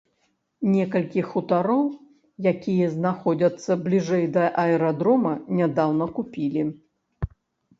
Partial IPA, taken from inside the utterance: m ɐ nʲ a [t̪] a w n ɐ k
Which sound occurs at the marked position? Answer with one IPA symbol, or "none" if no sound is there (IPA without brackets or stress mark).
d̪